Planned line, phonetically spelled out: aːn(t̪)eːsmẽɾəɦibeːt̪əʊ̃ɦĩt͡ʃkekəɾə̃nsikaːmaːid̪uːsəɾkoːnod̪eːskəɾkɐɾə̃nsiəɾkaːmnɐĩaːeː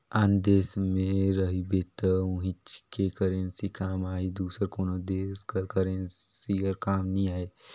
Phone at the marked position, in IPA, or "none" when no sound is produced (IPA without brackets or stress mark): d̪